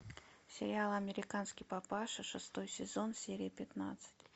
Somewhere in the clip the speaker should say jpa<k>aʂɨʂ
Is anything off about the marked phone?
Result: yes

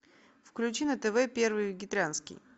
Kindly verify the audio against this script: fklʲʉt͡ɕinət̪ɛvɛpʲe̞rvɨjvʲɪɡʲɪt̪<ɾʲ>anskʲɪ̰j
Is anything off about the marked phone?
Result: no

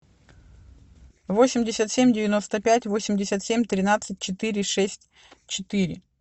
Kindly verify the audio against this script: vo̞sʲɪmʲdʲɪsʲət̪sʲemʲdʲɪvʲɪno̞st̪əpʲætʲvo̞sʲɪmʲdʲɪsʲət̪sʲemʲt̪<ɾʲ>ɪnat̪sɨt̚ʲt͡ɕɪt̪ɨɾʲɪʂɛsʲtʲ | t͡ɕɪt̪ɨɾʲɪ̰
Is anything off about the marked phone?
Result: no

